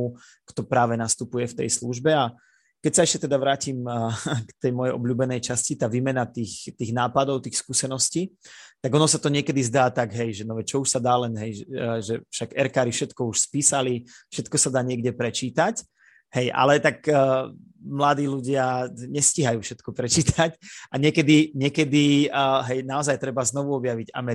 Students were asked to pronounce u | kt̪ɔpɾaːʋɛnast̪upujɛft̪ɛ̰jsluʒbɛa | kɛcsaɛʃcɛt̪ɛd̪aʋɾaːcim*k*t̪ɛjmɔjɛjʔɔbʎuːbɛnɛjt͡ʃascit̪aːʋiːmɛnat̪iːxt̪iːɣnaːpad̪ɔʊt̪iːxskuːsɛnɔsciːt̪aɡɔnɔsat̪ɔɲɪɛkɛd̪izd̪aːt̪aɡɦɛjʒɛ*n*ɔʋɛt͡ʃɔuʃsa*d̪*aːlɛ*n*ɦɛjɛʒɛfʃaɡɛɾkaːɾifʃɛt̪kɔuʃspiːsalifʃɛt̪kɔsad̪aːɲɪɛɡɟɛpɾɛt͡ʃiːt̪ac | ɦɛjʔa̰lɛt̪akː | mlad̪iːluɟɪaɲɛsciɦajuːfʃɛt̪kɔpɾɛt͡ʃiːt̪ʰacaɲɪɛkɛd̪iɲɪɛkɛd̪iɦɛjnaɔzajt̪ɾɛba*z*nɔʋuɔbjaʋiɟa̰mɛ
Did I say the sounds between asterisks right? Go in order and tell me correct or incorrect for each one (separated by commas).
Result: correct, correct, correct, correct, correct